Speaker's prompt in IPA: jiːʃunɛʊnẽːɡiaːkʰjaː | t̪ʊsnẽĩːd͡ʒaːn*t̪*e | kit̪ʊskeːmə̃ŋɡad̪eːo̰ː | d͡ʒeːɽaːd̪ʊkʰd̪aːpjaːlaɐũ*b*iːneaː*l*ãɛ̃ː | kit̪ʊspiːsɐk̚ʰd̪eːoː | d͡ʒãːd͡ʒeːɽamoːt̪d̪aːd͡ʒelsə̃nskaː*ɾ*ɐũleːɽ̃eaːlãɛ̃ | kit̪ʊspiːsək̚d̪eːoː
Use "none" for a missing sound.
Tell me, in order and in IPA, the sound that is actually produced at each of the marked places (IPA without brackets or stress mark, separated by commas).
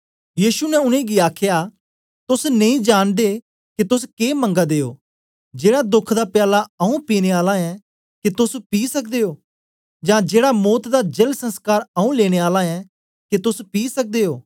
d̪, p, l, ɾ